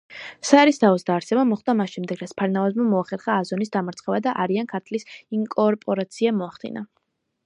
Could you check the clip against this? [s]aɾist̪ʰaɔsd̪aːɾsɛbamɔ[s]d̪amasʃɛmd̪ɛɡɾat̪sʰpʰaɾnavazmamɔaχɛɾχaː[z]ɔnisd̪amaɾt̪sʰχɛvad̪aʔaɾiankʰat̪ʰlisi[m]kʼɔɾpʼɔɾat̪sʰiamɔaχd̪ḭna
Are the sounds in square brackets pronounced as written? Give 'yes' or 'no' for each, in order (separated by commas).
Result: yes, no, yes, no